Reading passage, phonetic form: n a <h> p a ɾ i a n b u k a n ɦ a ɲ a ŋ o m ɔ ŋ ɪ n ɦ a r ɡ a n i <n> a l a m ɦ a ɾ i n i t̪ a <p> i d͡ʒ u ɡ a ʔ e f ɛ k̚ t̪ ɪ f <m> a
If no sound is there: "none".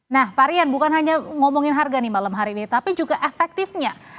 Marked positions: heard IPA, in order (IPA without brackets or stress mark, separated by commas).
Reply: h, m, p, ɲ